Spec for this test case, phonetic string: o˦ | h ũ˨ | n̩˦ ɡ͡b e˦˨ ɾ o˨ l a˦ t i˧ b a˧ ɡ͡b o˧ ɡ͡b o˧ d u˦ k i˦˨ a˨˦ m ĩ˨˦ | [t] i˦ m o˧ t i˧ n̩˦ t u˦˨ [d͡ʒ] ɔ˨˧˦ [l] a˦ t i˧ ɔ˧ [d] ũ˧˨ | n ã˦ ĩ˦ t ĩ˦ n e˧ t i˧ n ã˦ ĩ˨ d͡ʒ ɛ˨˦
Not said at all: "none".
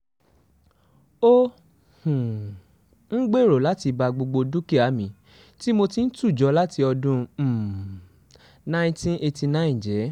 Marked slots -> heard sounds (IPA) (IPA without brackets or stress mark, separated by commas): t, d͡ʒ, l, d